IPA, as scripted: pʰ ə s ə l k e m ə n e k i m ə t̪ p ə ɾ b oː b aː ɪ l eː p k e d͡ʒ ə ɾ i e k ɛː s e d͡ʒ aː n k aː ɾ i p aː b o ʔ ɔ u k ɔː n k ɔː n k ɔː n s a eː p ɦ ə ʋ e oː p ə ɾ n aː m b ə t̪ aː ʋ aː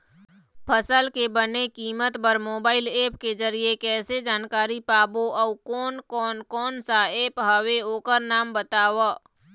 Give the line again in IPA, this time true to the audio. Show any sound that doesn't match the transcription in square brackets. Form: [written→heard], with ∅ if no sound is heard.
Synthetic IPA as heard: pʰ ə s ə l k e [m→b] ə n e k [i→iː] m ə t̪ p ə ɾ [b→m] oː b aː ɪ l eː p k e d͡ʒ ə ɾ i e k ɛː s e d͡ʒ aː n k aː ɾ i p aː b o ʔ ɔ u k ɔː n k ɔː n k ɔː n s a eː p ɦ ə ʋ e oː [p→k] ə ɾ n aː m b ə t̪ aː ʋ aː